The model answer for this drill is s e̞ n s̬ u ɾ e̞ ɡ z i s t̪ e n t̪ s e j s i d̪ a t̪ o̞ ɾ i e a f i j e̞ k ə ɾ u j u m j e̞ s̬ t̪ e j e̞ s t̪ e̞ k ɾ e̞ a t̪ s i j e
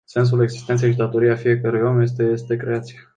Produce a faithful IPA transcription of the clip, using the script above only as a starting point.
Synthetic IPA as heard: s e̞ n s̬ u l e̞ ɡ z i s t̪ e n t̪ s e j ʃ i d̪ a t̪ o̞ ɾ i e a f i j e̞ k ə ɾ u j o m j e̞ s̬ t̪ e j e̞ s t̪ e̞ k ɾ e̞ a t̪ s i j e